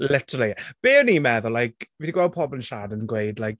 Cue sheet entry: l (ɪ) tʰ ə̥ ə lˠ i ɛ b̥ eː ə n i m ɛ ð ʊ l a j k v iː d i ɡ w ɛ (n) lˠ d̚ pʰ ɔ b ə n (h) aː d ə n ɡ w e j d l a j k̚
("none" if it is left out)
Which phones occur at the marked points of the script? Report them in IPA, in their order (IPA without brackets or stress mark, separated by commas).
ɪ, none, ʃ